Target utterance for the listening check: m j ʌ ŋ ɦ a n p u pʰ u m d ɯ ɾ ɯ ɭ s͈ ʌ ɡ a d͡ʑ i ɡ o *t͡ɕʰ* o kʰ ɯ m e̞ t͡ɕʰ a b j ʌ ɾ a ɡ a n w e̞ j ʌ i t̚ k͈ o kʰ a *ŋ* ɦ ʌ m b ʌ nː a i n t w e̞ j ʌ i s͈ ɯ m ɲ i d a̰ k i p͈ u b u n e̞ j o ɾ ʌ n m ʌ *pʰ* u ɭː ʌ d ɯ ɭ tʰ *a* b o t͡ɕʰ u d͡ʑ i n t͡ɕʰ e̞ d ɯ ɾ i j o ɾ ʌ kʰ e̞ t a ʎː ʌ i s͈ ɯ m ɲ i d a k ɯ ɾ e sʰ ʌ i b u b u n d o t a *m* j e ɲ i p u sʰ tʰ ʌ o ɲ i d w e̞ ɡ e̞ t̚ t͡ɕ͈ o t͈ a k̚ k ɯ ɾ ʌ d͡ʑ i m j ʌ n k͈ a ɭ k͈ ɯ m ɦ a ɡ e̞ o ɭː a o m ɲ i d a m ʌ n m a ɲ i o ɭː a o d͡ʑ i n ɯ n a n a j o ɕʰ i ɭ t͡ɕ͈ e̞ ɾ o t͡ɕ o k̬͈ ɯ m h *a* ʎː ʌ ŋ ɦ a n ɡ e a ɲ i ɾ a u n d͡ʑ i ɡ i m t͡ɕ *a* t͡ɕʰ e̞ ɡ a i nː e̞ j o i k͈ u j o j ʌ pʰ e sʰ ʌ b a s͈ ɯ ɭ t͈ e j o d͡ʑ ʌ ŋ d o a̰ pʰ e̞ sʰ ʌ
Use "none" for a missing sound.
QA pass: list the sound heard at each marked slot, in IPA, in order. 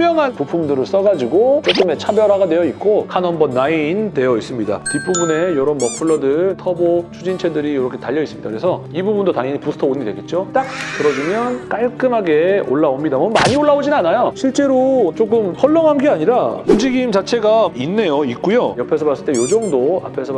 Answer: t͡ɕ, n, pʰ, ʌ, ŋ, ʌ, a

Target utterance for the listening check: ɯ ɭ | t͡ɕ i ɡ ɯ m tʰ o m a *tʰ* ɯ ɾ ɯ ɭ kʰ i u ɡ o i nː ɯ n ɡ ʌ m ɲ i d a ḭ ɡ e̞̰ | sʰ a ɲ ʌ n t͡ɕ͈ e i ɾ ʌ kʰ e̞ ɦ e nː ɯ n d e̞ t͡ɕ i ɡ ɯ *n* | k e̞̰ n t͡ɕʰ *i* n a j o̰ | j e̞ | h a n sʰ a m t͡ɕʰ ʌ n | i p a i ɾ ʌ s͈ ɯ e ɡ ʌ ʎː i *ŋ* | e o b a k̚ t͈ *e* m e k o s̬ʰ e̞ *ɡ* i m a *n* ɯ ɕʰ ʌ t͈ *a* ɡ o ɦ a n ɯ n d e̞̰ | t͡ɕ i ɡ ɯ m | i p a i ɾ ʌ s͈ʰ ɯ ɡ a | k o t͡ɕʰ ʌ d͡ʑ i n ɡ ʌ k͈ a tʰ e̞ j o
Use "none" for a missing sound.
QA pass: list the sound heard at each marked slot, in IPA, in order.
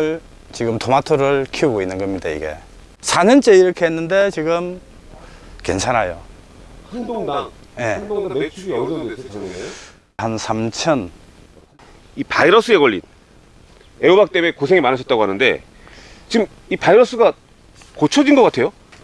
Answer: tʰ, m, a, n, e, ŋ, n, a

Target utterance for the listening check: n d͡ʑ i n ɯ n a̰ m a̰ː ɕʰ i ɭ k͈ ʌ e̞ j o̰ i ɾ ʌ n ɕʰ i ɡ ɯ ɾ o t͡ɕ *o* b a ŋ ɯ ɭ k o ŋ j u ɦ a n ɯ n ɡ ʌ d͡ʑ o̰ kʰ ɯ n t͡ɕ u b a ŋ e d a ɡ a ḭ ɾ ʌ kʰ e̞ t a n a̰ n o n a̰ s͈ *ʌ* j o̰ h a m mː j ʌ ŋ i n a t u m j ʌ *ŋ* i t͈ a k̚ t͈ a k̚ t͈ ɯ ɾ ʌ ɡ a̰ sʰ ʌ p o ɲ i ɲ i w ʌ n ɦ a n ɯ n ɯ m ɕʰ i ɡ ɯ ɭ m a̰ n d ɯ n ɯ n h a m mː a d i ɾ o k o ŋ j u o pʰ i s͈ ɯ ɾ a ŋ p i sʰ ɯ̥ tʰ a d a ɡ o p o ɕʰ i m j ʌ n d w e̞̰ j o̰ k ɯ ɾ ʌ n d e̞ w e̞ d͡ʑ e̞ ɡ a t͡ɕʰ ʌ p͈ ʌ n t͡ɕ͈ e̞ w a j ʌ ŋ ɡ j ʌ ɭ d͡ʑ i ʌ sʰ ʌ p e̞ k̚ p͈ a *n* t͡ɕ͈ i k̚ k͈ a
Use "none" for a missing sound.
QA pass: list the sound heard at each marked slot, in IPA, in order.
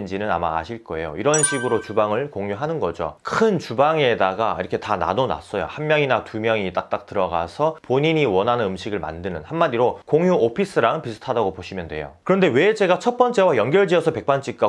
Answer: u, ʌ, ŋ, n

